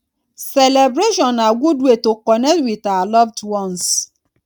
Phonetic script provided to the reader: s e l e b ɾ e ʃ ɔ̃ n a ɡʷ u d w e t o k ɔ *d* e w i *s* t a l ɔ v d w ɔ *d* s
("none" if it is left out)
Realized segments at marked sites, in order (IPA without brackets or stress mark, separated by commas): n, none, n